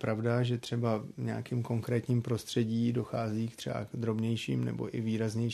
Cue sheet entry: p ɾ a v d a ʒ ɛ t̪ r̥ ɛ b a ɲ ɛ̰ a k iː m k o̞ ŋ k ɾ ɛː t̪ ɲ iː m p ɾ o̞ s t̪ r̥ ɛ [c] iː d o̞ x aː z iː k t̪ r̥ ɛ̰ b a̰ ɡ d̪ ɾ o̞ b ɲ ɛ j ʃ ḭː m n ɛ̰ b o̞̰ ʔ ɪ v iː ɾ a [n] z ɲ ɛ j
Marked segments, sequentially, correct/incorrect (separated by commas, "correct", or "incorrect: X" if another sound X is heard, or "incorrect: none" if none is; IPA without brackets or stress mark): incorrect: ɟ, incorrect: none